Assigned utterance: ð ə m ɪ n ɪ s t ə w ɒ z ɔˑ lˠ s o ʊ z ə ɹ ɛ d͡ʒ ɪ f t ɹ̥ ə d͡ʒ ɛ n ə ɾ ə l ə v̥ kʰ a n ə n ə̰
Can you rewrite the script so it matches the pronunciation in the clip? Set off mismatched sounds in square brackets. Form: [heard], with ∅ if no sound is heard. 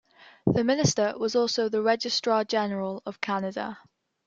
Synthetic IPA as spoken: ð ə m ɪ n ɪ s t ə w ɒ z ɔˑ lˠ s o ʊ [ð] ə ɹ ɛ d͡ʒ ɪ [s] t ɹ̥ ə d͡ʒ ɛ n ə [ɹ] ə l ə v̥ kʰ a n ə [d] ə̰